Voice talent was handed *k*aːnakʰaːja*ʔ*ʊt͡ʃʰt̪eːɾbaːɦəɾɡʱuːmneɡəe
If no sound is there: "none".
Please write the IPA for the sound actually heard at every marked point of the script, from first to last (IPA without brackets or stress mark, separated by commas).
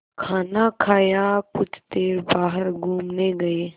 kʰ, k